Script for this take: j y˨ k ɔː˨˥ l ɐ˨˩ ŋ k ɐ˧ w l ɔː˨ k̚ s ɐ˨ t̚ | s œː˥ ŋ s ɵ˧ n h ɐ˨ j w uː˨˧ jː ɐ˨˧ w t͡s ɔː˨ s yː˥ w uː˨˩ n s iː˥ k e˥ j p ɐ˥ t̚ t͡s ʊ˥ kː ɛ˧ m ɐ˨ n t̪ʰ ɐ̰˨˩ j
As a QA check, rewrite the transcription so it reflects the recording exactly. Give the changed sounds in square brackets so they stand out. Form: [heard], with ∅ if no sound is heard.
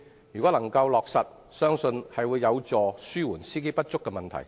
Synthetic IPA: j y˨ k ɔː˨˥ l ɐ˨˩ ŋ k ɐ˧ w l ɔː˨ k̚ s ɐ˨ t̚ | s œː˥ ŋ s ɵ˧ n h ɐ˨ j w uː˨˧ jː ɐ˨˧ w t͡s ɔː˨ s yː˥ w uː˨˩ n s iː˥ k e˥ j p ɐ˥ t̚ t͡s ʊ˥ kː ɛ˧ m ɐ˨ n t̪ʰ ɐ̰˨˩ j

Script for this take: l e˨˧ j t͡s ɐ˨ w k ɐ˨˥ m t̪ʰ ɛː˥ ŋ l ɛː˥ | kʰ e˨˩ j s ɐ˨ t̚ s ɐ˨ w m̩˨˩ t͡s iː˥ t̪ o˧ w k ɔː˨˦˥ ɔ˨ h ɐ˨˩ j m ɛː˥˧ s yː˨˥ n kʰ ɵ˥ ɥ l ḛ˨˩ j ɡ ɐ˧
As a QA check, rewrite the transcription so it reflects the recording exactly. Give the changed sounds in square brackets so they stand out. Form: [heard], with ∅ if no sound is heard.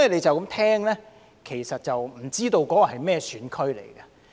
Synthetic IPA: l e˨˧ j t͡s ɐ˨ w k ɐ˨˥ m t̪ʰ ɛː˥ ŋ l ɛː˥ | kʰ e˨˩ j s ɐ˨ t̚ [t͡s] ɐ˨ w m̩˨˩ t͡s iː˥ t̪ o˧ w k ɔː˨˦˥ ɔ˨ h ɐ˨˩ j m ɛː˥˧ s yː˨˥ n kʰ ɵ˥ ɥ l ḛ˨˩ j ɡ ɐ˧

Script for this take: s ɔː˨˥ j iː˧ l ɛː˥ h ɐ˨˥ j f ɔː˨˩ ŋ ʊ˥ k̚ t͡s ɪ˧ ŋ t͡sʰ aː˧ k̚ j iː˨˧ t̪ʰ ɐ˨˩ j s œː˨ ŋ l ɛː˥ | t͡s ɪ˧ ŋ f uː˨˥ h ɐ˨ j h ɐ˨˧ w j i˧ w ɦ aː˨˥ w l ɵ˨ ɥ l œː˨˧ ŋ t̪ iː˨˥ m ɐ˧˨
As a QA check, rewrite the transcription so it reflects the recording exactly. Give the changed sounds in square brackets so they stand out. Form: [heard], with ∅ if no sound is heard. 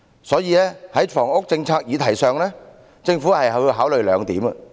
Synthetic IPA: s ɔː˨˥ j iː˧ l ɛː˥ h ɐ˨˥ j f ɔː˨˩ ŋ ʊ˥ k̚ t͡s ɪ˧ ŋ t͡sʰ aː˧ k̚ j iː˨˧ t̪ʰ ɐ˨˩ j s œː˨ ŋ l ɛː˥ | t͡s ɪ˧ ŋ f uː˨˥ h ɐ˨ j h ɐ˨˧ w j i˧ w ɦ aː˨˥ w l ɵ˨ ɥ l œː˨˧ ŋ t̪ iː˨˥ m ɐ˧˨

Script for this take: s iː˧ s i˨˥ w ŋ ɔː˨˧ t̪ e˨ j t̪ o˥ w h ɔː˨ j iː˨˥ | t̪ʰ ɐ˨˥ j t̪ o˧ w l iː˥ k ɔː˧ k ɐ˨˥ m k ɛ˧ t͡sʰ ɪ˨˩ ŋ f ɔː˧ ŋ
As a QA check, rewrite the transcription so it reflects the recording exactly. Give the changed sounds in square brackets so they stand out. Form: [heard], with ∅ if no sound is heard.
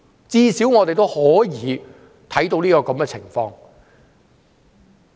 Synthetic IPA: [t͡s] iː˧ s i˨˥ w ŋ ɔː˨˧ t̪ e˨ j t̪ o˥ w h [ɔː˨˥] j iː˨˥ | t̪ʰ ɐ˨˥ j t̪ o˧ w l iː˥ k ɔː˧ k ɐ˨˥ m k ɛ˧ t͡sʰ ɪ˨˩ ŋ f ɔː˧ ŋ

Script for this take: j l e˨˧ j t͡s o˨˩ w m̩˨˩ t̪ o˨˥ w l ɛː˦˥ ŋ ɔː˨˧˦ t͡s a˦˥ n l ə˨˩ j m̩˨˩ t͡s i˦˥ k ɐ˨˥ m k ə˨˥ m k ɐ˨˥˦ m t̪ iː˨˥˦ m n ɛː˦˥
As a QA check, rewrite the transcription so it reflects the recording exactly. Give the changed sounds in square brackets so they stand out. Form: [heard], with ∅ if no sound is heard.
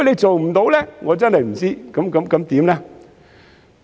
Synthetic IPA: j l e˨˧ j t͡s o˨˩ w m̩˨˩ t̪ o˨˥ w l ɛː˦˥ ŋ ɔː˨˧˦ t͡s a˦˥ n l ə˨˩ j m̩˨˩ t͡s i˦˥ k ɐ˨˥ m k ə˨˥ m k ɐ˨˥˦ m t̪ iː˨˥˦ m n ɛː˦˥

